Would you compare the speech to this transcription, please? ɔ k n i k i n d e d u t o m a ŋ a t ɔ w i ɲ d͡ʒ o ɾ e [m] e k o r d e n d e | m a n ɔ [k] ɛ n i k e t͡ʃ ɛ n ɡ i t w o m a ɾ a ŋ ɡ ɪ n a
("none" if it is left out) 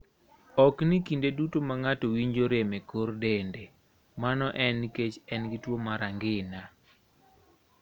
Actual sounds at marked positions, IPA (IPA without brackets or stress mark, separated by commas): m, ʔ